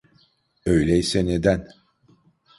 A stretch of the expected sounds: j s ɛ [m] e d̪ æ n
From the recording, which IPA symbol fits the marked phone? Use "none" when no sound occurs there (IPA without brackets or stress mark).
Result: n